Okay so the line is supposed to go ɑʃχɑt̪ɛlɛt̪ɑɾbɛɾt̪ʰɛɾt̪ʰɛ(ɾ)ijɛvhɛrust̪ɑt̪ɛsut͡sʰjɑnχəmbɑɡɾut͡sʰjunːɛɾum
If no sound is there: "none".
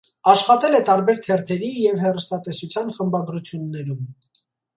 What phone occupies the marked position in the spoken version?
ɾ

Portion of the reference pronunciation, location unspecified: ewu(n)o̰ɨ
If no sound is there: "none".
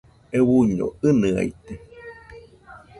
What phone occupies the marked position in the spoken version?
ɲ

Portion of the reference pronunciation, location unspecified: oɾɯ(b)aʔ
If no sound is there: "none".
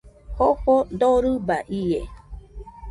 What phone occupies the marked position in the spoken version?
b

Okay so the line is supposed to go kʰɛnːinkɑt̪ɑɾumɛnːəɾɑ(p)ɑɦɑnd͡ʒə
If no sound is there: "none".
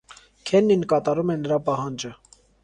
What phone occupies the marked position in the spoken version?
p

